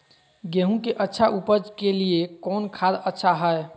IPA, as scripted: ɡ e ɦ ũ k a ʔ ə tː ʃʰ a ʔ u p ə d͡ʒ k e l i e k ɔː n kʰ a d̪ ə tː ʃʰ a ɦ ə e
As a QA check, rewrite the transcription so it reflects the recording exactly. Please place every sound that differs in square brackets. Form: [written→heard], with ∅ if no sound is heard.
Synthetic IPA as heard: ɡ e ɦ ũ k [a→e] ʔ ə tː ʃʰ a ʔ u p ə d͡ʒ k e l i e k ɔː n kʰ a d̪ ə tː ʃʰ a ɦ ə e

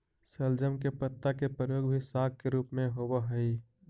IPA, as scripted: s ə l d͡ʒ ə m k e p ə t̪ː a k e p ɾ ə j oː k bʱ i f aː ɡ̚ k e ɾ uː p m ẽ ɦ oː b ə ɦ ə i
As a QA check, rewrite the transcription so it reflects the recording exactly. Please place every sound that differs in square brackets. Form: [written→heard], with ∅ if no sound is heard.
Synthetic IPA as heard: s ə l d͡ʒ ə m k e p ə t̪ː a k e p ɾ ə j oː [k→ɡ] bʱ i [f→s] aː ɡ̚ k e ɾ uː p m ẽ ɦ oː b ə ɦ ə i

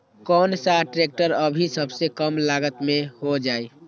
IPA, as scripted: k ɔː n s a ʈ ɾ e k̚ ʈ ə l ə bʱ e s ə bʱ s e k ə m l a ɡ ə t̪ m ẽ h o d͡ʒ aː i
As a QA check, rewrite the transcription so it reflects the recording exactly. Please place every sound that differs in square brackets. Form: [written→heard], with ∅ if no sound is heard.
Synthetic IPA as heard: k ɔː n s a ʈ ɾ e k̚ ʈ ə [l→ɾ] ə bʱ [e→i] s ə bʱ s e k ə m l a ɡ ə t̪ m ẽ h o d͡ʒ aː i

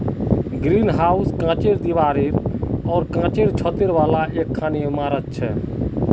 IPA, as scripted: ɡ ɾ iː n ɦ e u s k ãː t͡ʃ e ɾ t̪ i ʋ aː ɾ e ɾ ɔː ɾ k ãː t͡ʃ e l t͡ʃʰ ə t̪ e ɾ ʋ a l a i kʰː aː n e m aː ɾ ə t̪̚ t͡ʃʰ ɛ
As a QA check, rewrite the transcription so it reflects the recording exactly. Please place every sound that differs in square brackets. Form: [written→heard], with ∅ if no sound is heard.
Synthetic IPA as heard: ɡ ɾ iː n ɦ [e→a] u s k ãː t͡ʃ e ɾ [t̪→d̪] i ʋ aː ɾ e ɾ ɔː ɾ k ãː t͡ʃ e [l→ɾ] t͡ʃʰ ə t̪ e ɾ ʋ a l a [i→e] kʰː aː n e m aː ɾ ə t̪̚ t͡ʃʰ ɛ

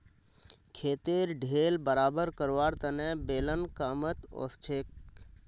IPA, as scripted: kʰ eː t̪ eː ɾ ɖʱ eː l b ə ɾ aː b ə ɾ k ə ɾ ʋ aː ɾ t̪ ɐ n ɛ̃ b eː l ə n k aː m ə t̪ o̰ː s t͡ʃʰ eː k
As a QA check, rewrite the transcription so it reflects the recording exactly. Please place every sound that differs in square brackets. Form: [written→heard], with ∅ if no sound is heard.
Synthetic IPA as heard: kʰ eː t̪ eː ɾ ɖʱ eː l b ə ɾ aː b ə ɾ k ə ɾ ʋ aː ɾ t̪ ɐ n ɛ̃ b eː l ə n k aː m ə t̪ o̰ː s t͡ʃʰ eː k

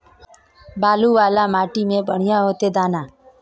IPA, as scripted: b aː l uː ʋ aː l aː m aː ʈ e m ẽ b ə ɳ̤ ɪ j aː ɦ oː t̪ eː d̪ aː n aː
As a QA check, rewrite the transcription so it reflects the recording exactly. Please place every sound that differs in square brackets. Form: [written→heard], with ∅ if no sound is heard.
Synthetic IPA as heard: b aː l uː ʋ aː l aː m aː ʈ [e→i] m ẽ b ə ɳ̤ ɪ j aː ɦ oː t̪ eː d̪ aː n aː

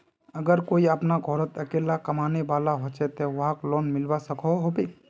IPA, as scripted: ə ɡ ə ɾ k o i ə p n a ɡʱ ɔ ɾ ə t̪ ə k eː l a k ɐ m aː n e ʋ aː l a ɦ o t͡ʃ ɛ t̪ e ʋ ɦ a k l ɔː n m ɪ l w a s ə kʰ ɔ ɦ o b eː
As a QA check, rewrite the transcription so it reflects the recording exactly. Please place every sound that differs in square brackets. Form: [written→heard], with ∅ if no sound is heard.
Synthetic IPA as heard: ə ɡ ə ɾ k o i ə p n a ɡʱ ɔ ɾ ə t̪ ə k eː l a k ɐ m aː n e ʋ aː l a ɦ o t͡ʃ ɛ t̪ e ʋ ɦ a k l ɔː n m ɪ l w a s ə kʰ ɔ ɦ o b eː

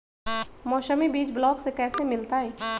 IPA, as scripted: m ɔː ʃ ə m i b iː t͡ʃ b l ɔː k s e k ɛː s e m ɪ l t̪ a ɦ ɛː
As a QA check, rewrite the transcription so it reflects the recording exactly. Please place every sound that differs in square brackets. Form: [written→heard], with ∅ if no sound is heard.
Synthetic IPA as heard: m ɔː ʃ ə m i b iː t͡ʃ b l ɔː k s e k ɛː s e m ɪ l t̪ a ɦ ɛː

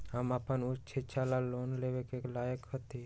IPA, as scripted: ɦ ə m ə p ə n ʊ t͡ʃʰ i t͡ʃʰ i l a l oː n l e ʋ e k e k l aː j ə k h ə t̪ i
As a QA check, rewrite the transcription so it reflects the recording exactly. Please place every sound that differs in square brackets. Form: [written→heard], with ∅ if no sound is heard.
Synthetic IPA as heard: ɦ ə m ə p ə n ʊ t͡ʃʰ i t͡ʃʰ [i→a] l a l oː n l e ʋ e k e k l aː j ə k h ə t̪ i

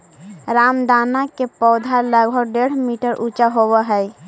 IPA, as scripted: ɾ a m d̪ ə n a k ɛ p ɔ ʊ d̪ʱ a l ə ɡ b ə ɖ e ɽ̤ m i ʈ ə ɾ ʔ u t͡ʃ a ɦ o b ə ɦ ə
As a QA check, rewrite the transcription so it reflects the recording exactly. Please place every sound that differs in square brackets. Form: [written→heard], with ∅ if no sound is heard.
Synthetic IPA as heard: ɾ a m d̪ [ə→a] n a k [ɛ→e] p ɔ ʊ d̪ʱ a l ə ɡ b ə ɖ e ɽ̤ m i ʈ ə ɾ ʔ u t͡ʃ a ɦ o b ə ɦ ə

